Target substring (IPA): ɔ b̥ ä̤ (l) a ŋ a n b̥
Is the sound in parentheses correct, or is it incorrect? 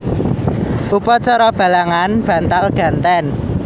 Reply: correct